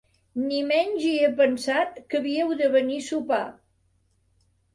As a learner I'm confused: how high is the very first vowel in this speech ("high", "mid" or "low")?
high